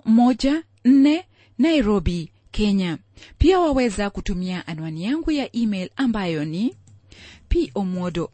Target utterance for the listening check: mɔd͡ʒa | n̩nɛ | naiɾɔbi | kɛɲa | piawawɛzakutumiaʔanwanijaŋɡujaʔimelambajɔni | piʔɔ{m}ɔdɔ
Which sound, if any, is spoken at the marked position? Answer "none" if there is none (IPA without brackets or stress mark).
m